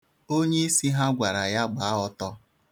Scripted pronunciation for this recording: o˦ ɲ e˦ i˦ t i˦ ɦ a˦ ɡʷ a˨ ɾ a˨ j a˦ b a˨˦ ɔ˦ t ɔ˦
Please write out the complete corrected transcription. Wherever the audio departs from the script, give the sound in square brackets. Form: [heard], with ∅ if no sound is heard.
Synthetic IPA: o˦ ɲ e˦ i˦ [s] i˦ ɦ a˦ ɡʷ a˨ ɾ a˨ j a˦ [ɡ͡b] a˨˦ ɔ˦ t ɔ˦